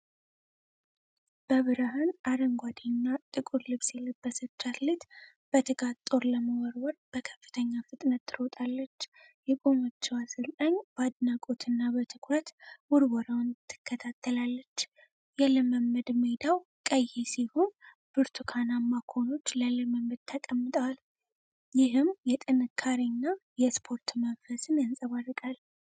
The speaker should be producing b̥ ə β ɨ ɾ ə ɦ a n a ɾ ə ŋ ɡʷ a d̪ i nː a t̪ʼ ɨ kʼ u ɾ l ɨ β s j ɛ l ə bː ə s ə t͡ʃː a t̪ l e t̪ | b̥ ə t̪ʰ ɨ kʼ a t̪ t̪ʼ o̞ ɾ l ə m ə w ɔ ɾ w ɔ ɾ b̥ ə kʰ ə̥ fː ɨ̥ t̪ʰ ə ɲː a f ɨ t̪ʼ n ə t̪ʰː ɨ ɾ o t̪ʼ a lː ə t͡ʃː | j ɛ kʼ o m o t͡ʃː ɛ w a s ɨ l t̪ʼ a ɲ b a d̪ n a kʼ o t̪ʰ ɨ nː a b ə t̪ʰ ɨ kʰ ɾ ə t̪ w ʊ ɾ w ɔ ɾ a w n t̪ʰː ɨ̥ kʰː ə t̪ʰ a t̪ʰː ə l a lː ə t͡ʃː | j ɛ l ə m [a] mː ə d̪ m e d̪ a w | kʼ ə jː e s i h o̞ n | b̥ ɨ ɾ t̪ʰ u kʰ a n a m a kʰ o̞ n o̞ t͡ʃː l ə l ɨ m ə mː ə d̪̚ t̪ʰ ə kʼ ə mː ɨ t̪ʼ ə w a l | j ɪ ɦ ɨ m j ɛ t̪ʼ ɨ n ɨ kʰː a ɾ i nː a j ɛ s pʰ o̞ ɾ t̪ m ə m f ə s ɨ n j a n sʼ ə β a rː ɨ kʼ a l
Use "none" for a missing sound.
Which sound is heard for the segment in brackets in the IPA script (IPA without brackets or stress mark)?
ə